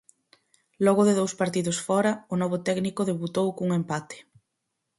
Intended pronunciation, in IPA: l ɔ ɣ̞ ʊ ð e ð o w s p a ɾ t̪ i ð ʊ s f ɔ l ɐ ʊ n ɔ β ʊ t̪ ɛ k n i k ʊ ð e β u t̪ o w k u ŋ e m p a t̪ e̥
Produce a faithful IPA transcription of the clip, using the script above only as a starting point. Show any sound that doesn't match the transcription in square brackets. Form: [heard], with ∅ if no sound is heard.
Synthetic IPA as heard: l ɔ ɣ̞ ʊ ð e ð o w s p a ɾ t̪ i ð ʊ s f ɔ [ɾ] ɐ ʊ n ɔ β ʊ t̪ ɛ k n i k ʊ ð e β u t̪ o w k u ŋ e m p a t̪ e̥